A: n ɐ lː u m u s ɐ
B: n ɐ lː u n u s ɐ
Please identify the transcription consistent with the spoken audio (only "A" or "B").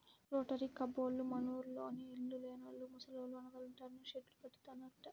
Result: A